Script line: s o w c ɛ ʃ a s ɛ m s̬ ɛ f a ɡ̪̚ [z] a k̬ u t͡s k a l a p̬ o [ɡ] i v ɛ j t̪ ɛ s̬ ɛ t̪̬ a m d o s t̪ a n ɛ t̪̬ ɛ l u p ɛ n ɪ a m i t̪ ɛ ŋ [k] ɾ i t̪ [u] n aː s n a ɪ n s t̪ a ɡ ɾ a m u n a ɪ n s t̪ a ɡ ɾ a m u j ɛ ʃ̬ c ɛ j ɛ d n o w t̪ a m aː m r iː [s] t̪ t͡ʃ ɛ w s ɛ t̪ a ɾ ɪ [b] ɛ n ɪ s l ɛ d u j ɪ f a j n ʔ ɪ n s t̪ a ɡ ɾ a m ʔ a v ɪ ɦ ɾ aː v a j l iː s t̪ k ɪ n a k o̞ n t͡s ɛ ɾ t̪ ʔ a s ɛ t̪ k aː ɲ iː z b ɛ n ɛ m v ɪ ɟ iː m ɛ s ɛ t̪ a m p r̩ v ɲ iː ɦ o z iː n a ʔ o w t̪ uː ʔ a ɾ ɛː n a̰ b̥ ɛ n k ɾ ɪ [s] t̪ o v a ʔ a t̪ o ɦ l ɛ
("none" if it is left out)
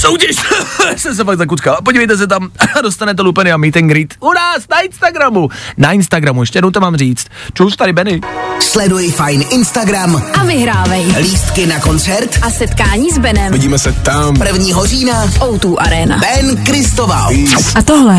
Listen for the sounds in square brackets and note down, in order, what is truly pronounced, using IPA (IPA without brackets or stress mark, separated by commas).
z, ɟ, ɡ, u, t͡s, b, s